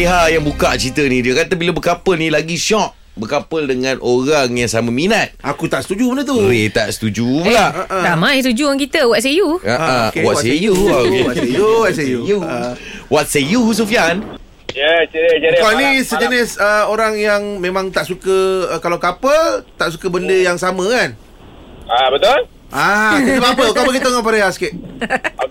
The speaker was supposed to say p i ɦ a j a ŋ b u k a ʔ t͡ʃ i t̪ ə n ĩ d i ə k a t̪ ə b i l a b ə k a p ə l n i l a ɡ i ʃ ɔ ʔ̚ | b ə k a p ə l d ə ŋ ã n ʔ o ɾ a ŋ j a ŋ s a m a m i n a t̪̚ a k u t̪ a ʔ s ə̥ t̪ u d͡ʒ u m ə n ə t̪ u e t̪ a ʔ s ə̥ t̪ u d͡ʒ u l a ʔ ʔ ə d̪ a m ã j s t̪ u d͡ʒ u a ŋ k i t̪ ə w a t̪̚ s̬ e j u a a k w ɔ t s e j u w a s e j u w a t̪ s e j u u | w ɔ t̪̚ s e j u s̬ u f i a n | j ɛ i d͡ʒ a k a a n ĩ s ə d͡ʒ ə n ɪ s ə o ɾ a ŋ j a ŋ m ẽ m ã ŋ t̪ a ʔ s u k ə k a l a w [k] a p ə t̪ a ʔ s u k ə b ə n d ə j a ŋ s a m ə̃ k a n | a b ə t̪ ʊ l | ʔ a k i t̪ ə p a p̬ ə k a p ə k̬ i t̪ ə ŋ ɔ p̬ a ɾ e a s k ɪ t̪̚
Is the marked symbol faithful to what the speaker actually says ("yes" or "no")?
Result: yes